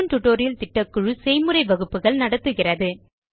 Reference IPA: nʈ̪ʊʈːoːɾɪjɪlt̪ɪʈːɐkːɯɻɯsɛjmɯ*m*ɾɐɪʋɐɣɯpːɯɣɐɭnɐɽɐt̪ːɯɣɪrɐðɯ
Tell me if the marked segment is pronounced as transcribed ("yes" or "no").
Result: no